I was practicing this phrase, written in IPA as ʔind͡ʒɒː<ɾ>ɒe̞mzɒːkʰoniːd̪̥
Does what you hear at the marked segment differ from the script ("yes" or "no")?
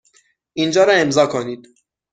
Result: no